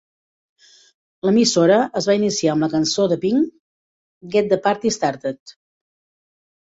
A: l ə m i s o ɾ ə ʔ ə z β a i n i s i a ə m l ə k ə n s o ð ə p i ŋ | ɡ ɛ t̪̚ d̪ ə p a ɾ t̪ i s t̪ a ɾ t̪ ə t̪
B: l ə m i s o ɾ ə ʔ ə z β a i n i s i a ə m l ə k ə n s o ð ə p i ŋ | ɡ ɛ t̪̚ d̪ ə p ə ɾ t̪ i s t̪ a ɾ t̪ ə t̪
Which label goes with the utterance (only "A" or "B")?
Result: A